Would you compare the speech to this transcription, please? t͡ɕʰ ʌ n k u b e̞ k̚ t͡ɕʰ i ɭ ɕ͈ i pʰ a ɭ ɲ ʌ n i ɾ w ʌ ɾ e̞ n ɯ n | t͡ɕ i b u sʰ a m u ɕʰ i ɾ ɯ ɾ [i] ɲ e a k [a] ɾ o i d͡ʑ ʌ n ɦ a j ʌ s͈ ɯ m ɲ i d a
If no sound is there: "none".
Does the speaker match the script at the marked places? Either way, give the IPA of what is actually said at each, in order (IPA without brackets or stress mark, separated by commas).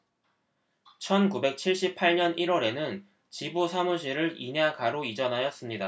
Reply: i, a